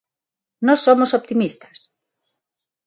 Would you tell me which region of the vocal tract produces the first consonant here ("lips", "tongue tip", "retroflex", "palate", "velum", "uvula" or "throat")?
tongue tip